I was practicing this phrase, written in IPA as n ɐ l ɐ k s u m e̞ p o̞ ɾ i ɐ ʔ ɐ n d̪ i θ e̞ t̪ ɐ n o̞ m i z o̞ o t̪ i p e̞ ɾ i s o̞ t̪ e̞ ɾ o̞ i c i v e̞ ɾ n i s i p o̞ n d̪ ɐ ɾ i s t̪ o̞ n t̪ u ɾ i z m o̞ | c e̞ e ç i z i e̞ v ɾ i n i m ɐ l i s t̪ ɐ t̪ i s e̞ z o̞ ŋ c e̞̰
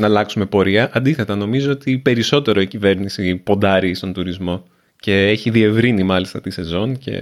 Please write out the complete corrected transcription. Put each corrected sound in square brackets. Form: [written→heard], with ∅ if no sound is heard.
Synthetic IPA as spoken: n ɐ l ɐ k s u m e̞ p o̞ ɾ i ɐ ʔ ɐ n d̪ i θ e̞ t̪ ɐ n o̞ m i z o̞ o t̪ i p e̞ ɾ i s o̞ t̪ e̞ ɾ o̞ i c i v e̞ ɾ n i s i p o̞ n d̪ ɐ ɾ i s t̪ o̞ n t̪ u ɾ i z m o̞ | c e̞ e ç i [z→ð] i e̞ v ɾ i n i m ɐ l i s t̪ ɐ t̪ i s e̞ z o̞ [ŋ→n] c e̞̰